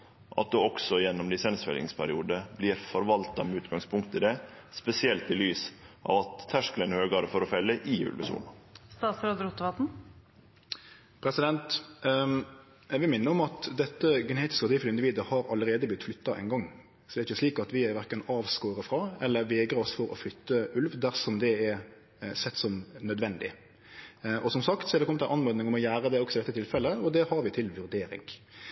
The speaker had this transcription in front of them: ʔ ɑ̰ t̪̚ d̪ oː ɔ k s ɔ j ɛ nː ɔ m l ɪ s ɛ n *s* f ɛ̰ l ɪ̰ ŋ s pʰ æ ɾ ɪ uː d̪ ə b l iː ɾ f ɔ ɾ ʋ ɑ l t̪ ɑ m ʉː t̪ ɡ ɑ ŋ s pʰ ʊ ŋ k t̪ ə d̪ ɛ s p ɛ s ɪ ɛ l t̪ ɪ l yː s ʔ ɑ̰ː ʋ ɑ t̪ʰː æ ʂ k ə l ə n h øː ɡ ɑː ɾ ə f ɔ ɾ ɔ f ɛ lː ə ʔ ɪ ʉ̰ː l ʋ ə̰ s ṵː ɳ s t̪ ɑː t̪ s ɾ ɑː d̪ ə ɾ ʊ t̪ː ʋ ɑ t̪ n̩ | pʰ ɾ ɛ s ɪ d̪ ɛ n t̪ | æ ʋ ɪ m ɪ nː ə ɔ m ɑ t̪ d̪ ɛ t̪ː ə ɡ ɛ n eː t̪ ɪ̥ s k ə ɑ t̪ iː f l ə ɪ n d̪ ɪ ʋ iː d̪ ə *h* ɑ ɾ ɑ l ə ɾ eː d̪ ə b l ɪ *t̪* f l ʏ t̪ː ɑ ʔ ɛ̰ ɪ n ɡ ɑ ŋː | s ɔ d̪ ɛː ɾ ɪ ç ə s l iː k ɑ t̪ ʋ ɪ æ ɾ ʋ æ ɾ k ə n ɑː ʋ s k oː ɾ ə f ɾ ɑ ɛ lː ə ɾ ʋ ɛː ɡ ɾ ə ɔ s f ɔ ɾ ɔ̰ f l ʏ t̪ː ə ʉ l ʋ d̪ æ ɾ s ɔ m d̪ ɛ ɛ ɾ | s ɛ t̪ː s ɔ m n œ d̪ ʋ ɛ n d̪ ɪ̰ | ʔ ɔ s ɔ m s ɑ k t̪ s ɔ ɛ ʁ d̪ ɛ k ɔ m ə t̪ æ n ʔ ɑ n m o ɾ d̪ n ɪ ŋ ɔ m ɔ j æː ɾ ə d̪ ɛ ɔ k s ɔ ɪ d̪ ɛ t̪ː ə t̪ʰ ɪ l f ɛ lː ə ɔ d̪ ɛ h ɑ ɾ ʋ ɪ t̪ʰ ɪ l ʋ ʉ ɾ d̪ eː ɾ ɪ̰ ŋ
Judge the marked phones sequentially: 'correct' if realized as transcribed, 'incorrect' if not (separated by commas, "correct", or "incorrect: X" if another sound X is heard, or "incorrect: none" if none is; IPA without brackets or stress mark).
correct, correct, correct